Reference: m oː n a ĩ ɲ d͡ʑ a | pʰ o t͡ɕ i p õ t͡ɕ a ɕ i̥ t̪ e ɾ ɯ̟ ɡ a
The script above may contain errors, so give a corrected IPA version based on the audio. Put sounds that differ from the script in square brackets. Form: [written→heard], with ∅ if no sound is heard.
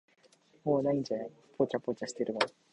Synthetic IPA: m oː n a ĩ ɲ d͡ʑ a | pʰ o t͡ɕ [i→a] p [õ→o] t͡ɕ a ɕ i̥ t̪ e ɾ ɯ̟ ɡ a